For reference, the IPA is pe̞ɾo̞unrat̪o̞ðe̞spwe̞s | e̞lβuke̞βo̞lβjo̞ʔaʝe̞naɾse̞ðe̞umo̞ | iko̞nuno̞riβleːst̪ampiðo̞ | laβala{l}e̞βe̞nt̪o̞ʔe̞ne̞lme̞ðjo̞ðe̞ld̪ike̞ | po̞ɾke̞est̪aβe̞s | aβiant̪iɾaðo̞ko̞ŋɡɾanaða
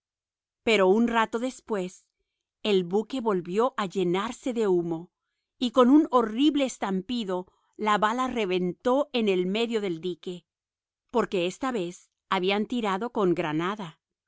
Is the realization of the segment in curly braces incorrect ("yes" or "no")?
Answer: yes